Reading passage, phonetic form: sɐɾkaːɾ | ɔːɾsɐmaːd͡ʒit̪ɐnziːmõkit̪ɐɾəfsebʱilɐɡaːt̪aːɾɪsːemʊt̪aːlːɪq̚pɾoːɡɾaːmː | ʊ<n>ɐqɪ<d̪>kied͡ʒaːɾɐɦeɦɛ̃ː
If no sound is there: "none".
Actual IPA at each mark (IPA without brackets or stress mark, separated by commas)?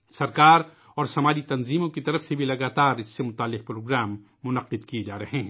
n, d̪